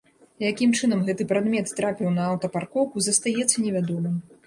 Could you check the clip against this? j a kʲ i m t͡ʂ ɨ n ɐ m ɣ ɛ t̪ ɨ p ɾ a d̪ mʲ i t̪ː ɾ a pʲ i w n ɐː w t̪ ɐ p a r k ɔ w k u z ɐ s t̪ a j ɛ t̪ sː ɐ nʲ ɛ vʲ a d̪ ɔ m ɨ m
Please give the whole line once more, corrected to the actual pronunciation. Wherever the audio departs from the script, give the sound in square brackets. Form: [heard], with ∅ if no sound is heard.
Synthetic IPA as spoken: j a kʲ i m t͡ʂ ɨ n ɐ m ɣ ɛ t̪ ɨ p ɾ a d̪ mʲ [ɛ] t̪ː ɾ a pʲ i w n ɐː w t̪ ɐ p a r k ɔ w k u z ɐ s t̪ a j ɛ t̪ sː ɐ nʲ ɛ vʲ a d̪ ɔ m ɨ m